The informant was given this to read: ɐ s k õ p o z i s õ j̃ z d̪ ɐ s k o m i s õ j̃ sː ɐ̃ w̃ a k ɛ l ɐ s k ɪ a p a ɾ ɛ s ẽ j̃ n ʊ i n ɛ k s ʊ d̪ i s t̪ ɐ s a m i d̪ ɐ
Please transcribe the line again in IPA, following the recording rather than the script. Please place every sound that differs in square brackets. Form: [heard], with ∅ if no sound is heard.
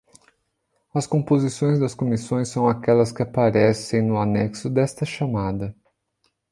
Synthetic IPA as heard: ɐ s k õ p o z i s õ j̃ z d̪ ɐ s k o m i s õ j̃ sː ɐ̃ w̃ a k ɛ l ɐ s k ɪ a p a ɾ ɛ s ẽ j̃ n ʊ [a] n ɛ k s ʊ d̪ [ɛ] s t̪ ɐ [ʃ] a m [a] d̪ ɐ